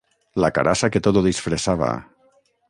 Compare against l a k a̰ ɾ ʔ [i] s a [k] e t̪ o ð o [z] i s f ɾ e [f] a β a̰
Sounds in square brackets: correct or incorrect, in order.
incorrect, correct, incorrect, incorrect

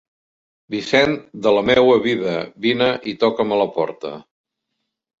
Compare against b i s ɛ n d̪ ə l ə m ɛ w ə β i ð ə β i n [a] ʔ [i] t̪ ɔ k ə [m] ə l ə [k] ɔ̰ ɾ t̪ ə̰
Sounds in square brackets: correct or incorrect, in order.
incorrect, correct, correct, incorrect

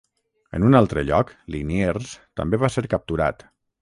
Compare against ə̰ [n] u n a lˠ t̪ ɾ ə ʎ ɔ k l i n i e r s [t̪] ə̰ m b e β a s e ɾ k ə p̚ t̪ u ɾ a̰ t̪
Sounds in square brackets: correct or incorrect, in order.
correct, correct

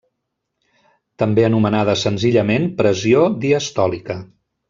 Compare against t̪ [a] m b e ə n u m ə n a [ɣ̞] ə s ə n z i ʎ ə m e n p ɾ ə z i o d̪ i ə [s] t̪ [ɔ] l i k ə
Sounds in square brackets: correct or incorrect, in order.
incorrect, incorrect, correct, correct

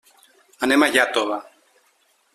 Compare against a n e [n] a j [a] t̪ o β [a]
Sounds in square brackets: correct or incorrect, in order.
incorrect, correct, correct

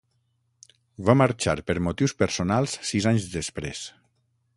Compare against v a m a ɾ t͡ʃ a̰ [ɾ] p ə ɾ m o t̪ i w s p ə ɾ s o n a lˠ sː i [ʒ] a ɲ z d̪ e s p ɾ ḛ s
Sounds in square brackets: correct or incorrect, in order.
correct, incorrect

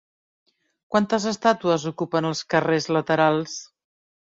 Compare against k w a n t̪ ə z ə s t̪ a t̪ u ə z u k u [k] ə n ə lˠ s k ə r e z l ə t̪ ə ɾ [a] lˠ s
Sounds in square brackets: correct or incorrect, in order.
incorrect, correct

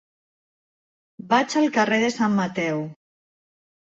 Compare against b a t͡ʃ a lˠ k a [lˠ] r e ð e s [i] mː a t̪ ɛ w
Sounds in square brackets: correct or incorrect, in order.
incorrect, incorrect

